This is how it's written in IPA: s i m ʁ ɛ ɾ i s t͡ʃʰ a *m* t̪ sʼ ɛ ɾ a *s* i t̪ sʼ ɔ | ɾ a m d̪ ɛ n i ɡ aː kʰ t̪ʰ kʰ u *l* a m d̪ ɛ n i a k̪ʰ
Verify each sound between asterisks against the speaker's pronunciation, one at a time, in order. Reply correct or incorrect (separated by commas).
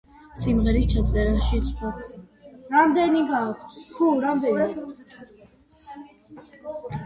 incorrect, incorrect, incorrect